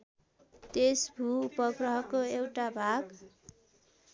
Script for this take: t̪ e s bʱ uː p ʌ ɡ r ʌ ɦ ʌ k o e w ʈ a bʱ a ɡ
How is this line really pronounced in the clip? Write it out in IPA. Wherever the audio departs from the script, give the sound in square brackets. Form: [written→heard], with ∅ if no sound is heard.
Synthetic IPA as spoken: t̪ e s bʱ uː p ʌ ɡ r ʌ ɦ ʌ k o e w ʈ a bʱ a ɡ